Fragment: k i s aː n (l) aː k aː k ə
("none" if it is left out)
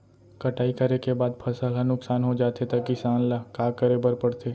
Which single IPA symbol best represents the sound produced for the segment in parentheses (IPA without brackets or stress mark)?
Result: l